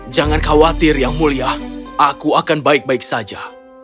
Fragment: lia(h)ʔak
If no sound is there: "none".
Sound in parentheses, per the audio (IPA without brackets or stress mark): h